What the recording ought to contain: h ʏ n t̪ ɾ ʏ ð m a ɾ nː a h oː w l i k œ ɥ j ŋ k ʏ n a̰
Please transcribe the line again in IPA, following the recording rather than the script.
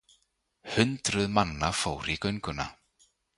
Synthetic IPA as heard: h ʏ n t̪ ɾ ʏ ð m a nː a f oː w ɾ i k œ ɥ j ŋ k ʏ n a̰